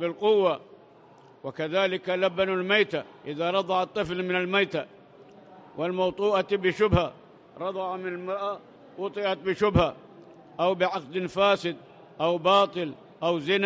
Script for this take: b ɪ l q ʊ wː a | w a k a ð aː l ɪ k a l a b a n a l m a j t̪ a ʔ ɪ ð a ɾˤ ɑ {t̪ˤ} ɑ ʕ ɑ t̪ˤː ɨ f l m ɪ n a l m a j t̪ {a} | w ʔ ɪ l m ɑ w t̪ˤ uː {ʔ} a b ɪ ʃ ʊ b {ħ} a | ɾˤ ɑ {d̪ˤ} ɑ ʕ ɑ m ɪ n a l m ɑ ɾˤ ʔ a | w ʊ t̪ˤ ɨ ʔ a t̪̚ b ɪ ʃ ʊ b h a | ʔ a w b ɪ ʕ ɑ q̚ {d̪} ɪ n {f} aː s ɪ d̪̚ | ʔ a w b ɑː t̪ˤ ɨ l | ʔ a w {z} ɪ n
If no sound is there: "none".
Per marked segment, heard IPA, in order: d̪ˤ, a, ʔ, h, d̪ˤ, d̪, f, z

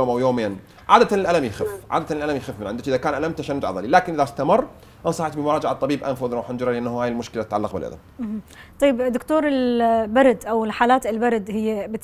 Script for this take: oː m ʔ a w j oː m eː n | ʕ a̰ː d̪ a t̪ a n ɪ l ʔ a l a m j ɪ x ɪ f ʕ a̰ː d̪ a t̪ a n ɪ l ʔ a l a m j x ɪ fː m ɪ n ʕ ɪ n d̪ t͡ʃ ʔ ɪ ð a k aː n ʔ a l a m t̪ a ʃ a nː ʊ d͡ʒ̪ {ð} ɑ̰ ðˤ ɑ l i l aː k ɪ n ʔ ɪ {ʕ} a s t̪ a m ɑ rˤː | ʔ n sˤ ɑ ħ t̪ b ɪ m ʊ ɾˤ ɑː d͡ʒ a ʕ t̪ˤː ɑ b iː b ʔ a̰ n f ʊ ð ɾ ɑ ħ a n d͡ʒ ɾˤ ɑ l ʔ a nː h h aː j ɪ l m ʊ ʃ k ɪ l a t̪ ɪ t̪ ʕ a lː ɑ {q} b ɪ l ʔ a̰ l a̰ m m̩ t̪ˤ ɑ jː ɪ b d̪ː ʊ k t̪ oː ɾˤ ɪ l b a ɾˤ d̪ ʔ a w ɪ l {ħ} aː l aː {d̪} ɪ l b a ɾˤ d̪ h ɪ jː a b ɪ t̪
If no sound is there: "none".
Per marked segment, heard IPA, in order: ʕ, ð, q, ħ, t̪

